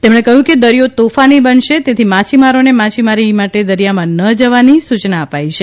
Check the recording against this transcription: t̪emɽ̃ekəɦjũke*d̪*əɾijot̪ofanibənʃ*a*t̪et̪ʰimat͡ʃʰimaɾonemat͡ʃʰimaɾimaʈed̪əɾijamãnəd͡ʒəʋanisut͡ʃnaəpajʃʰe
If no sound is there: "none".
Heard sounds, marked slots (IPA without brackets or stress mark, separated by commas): d̪, e